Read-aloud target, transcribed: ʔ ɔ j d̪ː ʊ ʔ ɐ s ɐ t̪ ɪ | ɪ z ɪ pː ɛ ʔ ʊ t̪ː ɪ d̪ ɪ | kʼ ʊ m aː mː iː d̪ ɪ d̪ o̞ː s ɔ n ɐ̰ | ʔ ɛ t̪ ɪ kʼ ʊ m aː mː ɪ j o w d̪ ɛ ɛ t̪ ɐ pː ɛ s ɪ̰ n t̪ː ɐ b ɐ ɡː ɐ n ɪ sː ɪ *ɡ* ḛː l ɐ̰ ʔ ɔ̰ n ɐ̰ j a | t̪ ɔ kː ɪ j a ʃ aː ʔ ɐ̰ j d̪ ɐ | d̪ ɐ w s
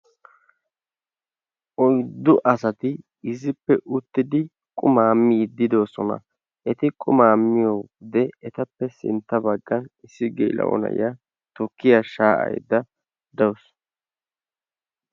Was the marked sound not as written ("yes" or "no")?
no